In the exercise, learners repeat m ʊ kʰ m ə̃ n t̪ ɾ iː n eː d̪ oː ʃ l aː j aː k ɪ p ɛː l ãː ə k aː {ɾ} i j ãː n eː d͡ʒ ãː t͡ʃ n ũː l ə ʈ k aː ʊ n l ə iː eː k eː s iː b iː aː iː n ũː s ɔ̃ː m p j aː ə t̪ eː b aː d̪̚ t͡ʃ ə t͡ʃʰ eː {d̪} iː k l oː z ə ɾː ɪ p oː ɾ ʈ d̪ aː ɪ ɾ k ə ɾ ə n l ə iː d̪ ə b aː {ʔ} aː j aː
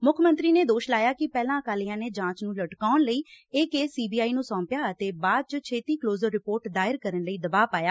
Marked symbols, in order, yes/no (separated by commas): no, no, no